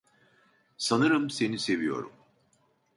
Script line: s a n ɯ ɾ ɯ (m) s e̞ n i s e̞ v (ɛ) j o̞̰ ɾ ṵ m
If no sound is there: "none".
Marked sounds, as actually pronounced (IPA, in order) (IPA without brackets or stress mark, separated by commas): m, i